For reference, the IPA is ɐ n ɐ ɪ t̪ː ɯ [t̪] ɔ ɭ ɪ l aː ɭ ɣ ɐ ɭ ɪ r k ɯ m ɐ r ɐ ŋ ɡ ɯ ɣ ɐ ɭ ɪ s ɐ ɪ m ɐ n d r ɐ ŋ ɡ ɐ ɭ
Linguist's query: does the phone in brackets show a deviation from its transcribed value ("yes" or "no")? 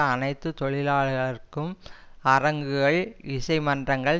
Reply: no